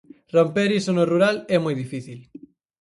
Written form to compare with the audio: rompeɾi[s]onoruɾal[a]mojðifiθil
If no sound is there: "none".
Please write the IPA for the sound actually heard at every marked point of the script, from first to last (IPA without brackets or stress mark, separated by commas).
s, ɛ